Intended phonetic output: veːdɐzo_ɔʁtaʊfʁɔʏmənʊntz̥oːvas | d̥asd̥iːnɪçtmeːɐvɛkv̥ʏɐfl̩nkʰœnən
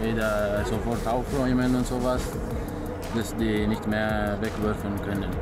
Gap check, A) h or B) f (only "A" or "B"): B